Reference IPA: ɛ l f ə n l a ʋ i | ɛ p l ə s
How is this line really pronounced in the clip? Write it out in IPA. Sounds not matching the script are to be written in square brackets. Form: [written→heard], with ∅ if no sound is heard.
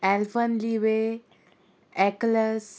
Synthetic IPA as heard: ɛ l f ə n l [a→i] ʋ [i→e] | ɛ [p→k] l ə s

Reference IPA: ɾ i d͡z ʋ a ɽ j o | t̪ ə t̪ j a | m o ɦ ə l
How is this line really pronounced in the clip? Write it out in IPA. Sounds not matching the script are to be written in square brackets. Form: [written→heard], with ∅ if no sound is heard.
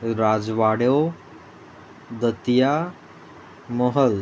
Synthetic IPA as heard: ɾ [i→a] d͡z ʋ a ɽ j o | [t̪→d̪] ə t̪ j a | m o ɦ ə l

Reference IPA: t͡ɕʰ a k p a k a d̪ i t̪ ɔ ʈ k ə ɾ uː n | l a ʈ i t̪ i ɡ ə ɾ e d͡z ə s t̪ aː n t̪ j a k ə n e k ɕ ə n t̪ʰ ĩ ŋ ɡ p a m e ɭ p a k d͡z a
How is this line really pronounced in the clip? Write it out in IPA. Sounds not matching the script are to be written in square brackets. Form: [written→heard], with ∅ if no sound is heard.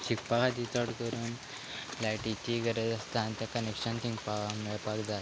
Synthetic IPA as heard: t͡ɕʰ [a→i] k p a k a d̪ i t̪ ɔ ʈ k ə ɾ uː n | l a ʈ i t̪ i ɡ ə ɾ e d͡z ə s t̪ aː n t̪ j a k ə n e k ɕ ə n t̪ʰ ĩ ŋ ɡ p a m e ɭ p a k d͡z a

